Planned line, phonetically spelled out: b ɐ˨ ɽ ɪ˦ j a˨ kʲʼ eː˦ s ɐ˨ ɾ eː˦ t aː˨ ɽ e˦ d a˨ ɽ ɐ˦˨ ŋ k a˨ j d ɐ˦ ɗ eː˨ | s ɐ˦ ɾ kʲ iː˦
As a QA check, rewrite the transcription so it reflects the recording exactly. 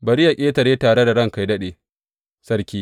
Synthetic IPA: b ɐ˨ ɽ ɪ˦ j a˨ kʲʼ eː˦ t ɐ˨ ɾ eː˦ t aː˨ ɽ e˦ d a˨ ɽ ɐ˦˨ ŋ k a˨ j d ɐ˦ ɗ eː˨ | s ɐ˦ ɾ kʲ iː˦